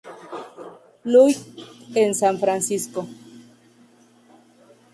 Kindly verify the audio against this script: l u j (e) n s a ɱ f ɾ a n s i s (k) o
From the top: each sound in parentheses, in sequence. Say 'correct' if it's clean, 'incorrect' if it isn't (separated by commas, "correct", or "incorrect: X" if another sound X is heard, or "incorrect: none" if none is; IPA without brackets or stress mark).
correct, correct